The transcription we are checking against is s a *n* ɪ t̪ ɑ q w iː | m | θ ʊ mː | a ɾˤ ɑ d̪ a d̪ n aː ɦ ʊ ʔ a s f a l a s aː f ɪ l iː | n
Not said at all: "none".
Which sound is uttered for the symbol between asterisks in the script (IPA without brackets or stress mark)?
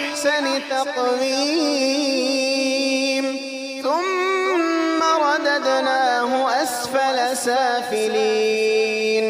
n